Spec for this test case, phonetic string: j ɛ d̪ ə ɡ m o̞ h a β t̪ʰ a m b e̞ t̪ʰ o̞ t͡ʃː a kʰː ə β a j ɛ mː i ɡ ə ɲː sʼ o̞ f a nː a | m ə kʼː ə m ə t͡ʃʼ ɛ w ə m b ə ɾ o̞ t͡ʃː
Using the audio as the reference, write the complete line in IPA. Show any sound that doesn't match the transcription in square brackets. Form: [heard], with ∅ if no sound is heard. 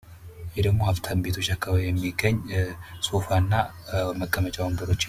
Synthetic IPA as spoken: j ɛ d̪ ə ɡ m o̞ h a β t̪ʰ a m b e̞ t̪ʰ o̞ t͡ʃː a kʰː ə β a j ɛ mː i ɡ ə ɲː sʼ o̞ f a nː a | m ə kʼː ə m ə t͡ʃʼ [a] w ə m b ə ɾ o̞ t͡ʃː